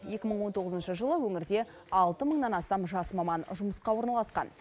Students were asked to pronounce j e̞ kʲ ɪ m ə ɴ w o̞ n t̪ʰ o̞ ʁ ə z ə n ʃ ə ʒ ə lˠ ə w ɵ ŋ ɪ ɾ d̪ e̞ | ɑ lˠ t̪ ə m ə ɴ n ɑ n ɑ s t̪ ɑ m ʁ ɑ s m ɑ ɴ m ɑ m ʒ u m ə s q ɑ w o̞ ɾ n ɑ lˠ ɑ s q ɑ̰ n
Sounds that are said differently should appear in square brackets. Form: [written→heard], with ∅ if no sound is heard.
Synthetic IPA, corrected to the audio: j e̞ kʲ ɪ m ə ɴ w o̞ n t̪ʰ o̞ ʁ ə z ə n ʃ ə ʒ ə lˠ ə w ɵ ŋ ɪ ɾ d̪ e̞ | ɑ lˠ t̪ ə m ə ɴ n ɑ n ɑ s t̪ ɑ m [ʁ→ʒ] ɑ s m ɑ [ɴ→∅] m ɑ [m→n] ʒ [u→ʊ] m ə s q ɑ w o̞ ɾ n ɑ lˠ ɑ s q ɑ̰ n